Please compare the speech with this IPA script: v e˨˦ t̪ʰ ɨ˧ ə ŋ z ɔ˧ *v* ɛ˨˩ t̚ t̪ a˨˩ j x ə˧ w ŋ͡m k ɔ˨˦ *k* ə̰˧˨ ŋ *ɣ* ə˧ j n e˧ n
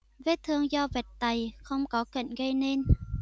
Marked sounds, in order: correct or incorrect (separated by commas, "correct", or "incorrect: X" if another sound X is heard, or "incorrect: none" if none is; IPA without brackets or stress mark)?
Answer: correct, correct, correct